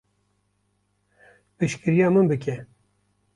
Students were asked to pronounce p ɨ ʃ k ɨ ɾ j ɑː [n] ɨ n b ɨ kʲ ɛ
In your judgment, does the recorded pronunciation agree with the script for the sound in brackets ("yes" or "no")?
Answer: no